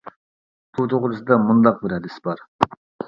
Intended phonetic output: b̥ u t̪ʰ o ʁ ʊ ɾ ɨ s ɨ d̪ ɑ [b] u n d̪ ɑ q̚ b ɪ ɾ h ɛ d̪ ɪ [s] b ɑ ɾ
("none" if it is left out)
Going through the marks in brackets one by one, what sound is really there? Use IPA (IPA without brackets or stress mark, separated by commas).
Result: m, s